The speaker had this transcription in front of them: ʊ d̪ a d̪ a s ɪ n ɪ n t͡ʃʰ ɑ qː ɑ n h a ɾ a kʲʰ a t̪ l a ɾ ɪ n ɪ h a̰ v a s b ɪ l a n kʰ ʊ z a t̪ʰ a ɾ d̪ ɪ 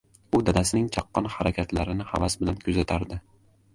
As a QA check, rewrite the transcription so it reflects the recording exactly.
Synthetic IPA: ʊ d̪ a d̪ a s ɪ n ɪ ŋ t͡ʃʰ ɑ qː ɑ n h a ɾ a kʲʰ a t̪ l a ɾ ɪ n ɪ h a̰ v a s b ɪ l a n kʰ ʊ z a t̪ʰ a ɾ d̪ ɪ